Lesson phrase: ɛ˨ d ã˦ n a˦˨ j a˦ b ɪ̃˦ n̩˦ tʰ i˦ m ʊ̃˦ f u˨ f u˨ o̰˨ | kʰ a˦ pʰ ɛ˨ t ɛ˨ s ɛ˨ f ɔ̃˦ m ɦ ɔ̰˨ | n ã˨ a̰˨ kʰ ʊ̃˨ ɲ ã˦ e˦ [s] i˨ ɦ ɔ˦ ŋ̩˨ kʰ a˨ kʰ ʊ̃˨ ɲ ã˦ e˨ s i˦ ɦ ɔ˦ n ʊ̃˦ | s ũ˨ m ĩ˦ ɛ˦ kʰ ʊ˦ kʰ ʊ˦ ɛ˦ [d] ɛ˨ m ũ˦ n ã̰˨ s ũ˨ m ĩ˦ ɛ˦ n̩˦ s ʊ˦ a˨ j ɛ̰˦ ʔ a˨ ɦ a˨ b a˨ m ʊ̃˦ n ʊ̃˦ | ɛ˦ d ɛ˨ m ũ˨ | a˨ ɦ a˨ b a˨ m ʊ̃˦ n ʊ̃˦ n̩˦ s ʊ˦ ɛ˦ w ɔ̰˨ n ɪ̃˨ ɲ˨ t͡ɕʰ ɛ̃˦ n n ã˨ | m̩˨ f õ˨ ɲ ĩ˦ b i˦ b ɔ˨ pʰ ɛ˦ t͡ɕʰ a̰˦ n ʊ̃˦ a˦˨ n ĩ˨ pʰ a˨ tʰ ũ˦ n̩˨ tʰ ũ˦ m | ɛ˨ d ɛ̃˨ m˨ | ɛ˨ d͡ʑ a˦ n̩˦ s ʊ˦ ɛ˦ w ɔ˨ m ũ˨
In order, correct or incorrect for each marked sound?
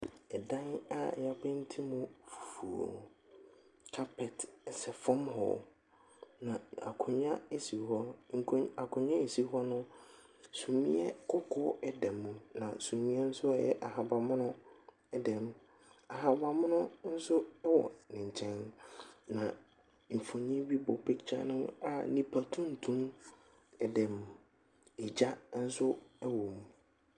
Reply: correct, correct

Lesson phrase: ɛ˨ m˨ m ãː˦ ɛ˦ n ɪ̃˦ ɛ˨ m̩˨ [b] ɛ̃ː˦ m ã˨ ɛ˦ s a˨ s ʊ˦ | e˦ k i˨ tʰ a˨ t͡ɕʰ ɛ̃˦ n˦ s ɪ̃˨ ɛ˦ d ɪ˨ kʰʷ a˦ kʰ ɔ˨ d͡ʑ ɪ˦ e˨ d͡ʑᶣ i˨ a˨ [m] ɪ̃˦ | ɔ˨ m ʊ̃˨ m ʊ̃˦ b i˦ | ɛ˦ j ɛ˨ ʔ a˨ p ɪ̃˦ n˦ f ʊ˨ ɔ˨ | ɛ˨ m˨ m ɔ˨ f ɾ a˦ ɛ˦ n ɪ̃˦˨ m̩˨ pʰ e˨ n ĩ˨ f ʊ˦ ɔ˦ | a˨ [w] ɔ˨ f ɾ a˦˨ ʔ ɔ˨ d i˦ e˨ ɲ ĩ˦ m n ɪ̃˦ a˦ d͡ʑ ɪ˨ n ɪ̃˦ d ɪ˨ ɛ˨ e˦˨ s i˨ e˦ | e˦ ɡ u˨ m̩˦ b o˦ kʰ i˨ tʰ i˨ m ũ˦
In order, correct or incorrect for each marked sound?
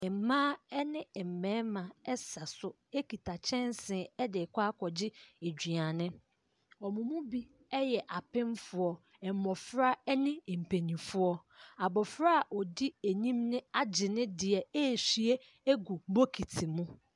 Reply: incorrect: m, incorrect: n, incorrect: b

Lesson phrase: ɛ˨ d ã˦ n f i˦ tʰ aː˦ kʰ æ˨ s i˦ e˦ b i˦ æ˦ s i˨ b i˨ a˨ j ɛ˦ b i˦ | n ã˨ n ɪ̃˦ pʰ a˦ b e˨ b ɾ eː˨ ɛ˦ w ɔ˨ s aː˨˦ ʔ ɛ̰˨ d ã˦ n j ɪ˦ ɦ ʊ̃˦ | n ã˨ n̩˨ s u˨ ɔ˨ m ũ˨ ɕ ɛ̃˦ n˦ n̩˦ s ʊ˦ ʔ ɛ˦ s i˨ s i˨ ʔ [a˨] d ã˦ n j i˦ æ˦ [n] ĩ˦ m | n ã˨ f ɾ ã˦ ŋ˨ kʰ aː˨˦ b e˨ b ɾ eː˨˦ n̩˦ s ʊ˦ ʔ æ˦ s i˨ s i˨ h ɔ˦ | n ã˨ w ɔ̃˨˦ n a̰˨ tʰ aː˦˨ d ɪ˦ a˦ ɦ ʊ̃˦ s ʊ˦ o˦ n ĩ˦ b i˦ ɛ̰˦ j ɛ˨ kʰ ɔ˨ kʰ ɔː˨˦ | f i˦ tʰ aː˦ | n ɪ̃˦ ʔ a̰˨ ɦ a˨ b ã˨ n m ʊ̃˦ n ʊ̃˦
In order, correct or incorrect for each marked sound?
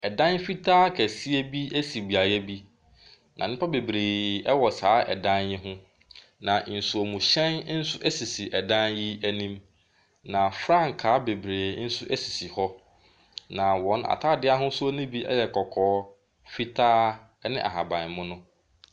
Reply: incorrect: ɛ˨, correct

